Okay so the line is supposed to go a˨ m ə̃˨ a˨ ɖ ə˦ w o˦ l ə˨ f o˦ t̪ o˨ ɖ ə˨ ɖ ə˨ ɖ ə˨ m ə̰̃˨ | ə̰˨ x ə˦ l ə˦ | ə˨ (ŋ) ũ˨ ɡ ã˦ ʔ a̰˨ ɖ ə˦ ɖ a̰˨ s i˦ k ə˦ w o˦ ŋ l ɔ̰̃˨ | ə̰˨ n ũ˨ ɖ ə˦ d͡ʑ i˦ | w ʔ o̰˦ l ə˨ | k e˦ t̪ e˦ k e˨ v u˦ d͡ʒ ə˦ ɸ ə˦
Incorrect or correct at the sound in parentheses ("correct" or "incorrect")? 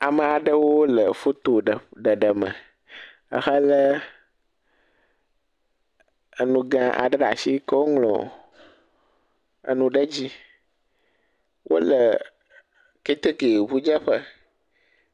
incorrect